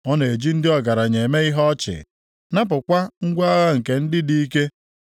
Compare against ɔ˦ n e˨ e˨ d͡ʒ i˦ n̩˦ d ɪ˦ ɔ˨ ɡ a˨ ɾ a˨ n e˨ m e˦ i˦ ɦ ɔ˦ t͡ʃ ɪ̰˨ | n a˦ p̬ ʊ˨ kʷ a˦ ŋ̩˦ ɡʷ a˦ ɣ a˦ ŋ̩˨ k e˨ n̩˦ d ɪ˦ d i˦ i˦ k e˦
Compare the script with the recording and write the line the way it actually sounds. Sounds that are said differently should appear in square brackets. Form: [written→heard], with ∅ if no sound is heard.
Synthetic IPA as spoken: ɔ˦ n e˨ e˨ d͡ʒ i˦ n̩˦ d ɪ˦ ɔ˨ ɡ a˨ ɾ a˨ [n→ɲ] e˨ m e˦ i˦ ɦ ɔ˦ t͡ʃ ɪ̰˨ | n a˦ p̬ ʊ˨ kʷ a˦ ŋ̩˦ ɡʷ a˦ ɣ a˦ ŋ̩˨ k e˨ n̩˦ d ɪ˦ d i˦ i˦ k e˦